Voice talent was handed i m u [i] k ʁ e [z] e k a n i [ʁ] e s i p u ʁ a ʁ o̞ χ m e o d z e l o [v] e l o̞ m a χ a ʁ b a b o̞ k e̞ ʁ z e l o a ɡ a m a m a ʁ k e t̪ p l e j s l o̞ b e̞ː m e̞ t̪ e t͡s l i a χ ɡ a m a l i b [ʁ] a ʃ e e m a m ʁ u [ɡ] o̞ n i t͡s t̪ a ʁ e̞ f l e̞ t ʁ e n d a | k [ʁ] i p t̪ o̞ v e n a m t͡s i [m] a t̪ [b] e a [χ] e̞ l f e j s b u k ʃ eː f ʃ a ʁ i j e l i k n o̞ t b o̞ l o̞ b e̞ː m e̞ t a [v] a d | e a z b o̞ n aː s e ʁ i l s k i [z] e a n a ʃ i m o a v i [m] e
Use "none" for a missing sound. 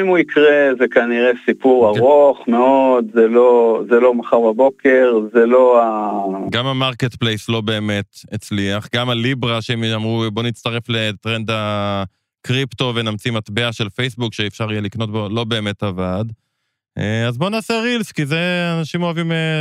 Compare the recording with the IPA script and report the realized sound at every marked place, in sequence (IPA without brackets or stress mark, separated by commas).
i, z, ʁ, z, ʁ, b, ʁ, m, b, ʃ, v, z, m